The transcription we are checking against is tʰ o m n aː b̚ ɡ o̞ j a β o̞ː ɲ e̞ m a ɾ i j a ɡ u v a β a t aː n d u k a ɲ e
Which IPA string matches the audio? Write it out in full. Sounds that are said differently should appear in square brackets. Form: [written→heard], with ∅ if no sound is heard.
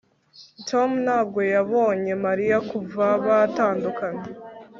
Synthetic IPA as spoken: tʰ o m n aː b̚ ɡ o̞ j a β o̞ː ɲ e̞ m a ɾ i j a [ɡ→k] u v a β a t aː n d u k a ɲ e